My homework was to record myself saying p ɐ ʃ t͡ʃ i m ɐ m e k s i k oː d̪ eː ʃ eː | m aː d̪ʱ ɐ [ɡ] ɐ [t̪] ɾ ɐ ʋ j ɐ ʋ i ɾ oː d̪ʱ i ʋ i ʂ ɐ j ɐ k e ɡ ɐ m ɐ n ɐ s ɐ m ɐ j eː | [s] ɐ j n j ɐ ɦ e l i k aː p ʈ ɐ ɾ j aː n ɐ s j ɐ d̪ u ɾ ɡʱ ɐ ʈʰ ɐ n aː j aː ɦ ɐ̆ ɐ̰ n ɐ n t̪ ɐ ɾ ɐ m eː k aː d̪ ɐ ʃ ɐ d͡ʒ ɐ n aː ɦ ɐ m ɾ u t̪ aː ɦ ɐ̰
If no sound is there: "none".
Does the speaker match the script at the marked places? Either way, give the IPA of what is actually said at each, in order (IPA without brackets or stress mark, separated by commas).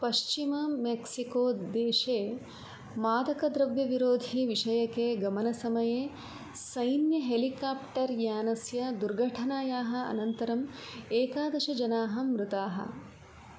k, d̪, s